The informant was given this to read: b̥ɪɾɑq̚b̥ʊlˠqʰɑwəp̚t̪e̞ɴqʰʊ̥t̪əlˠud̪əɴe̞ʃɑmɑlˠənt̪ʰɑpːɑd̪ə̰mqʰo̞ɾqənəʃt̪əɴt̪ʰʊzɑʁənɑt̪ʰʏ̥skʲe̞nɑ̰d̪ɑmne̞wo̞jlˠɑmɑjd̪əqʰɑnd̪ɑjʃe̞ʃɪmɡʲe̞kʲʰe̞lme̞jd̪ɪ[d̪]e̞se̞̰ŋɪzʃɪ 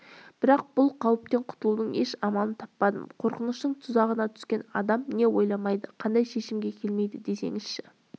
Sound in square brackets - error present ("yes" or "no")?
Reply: no